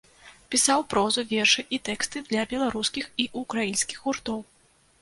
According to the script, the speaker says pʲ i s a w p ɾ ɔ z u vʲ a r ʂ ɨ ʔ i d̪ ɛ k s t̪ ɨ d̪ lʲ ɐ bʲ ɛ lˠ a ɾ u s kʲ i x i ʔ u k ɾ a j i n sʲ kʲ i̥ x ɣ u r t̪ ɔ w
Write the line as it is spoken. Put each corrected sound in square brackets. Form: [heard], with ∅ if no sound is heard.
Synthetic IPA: pʲ i s a w p ɾ ɔ z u vʲ [ɛ] r ʂ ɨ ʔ i [t̪] ɛ k s t̪ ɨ d̪ lʲ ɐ bʲ ɛ lˠ a ɾ u s kʲ i x i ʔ u k ɾ a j i n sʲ kʲ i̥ x ɣ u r t̪ ɔ w